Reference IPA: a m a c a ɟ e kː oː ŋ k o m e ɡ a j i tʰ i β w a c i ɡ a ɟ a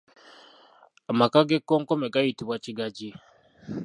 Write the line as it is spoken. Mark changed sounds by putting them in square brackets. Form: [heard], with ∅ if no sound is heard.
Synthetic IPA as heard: a m a [k] a [ɡ] e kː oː ŋ k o m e ɡ a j i [t] i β w a c i ɡ a ɟ [i]